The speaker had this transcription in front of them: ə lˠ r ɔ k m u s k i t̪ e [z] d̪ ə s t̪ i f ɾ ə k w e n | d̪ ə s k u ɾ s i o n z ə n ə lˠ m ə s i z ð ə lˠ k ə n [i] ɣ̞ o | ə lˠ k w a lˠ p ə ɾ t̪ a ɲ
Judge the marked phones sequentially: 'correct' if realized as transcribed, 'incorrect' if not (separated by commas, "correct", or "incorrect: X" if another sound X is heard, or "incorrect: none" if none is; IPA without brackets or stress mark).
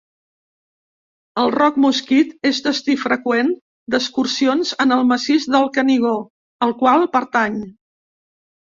correct, correct